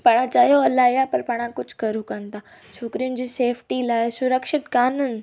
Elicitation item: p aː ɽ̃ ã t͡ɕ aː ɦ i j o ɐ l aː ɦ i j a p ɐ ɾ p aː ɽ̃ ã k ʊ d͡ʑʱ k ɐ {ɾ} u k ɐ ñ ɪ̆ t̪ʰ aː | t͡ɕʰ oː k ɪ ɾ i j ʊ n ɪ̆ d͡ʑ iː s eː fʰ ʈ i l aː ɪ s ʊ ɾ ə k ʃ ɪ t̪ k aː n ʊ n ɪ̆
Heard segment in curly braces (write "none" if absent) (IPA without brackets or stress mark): ɾ